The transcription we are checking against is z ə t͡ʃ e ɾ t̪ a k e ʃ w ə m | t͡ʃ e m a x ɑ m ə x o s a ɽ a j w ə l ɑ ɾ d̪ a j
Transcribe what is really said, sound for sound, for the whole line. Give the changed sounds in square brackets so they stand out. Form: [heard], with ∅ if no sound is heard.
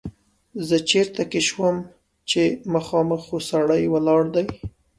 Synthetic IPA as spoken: z ə t͡ʃ e ɾ t̪ a k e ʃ w ə m | t͡ʃ e m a x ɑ m ə x o s a ɽ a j w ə l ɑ [ɽ] d̪ a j